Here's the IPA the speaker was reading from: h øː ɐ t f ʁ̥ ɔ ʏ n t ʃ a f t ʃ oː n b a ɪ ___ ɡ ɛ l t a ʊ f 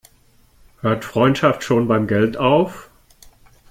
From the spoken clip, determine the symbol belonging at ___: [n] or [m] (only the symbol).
m